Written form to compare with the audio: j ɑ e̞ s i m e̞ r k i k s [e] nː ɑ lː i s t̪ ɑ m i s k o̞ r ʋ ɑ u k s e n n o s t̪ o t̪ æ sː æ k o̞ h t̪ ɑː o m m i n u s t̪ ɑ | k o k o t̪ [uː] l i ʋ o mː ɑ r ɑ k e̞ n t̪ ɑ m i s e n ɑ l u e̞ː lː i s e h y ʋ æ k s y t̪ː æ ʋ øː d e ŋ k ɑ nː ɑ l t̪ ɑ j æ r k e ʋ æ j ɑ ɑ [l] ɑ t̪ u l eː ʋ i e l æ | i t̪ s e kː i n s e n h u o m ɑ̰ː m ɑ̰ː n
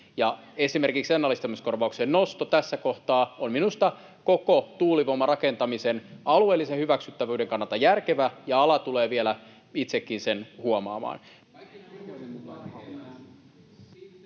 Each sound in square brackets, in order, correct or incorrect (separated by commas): correct, correct, correct